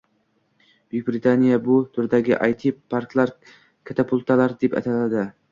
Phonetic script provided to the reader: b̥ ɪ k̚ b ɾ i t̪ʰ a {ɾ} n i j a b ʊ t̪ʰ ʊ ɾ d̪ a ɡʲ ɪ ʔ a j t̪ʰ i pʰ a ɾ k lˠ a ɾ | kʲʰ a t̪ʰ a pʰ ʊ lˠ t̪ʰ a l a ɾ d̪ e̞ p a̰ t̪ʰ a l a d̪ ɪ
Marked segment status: incorrect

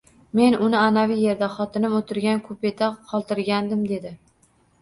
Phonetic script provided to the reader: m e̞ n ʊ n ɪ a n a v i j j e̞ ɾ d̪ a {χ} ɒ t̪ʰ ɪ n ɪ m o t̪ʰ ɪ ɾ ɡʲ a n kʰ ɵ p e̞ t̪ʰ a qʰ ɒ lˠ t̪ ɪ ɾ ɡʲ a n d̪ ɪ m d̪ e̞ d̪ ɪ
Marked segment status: correct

